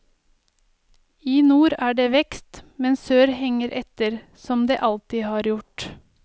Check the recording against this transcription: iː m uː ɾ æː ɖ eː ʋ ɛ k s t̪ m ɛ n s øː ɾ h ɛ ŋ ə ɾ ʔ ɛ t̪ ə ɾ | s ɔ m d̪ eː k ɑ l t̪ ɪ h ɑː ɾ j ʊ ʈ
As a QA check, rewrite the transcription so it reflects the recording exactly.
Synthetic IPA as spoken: iː n uː ɾ æː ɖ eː ʋ ɛ k s t̪ m ɛ n s øː ɾ h ɛ ŋ ə ɾ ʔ ɛ t̪ ə ɾ | s ɔ m d̪ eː ʔ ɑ l t̪ ɪ h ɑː ɾ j ʊ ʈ